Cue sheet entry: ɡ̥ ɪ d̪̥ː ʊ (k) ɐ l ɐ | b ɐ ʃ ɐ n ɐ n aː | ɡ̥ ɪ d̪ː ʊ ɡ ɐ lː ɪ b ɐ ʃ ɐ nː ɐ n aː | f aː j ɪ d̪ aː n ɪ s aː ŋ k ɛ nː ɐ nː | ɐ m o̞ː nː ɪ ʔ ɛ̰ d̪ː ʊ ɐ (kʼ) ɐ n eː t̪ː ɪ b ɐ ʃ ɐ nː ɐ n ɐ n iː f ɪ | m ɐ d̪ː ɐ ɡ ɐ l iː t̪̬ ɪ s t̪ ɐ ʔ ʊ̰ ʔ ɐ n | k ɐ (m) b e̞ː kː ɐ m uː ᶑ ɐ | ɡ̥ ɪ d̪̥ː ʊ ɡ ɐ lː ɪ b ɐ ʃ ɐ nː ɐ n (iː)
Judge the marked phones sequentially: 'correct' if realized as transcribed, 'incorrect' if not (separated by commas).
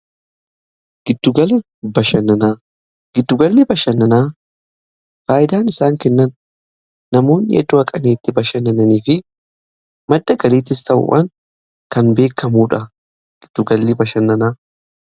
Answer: incorrect, correct, incorrect, incorrect